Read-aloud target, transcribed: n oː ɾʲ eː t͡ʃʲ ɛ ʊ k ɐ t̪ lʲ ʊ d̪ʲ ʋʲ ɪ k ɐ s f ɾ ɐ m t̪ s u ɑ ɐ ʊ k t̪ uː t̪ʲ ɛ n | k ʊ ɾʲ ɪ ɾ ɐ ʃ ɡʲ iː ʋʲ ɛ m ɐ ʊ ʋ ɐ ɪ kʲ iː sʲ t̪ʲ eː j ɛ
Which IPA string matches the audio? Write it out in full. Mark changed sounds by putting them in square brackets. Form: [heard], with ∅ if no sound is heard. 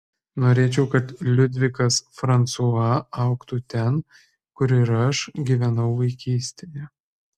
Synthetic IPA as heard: n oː ɾʲ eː t͡ʃʲ ɛ ʊ k ɐ t̪ lʲ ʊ d̪ʲ ʋʲ ɪ k ɐ s f ɾ ɐ [n] t̪ s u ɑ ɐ ʊ k t̪ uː t̪ʲ ɛ n | k ʊ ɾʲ ɪ ɾ ɐ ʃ ɡʲ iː ʋʲ ɛ [n] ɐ ʊ ʋ ɐ ɪ kʲ iː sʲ t̪ʲ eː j ɛ